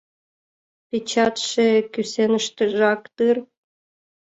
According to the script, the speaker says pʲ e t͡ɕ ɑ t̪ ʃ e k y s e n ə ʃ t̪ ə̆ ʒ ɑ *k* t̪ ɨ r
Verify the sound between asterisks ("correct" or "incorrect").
correct